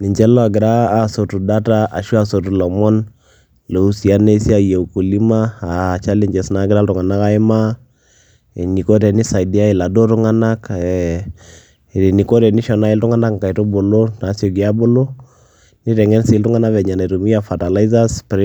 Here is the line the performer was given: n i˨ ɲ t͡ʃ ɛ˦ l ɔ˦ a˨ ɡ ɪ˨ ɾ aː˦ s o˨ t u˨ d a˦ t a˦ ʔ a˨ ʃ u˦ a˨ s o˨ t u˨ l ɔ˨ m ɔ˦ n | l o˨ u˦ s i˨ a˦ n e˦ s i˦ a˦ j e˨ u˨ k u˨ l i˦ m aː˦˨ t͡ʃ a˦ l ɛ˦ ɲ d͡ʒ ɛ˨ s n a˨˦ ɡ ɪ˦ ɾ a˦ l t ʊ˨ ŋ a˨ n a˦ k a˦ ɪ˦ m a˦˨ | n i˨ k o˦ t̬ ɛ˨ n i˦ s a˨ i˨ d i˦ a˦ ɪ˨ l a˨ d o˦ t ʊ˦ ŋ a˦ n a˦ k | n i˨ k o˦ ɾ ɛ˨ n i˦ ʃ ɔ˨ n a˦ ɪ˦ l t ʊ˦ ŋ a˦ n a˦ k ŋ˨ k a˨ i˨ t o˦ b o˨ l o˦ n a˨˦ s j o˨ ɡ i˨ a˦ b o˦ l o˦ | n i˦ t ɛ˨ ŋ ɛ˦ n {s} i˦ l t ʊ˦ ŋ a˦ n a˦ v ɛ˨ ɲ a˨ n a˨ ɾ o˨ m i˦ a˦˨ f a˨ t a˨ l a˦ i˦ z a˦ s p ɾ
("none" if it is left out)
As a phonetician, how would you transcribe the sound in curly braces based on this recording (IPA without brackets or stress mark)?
s